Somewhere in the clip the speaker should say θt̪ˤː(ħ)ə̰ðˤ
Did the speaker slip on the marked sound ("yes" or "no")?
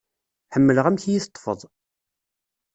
yes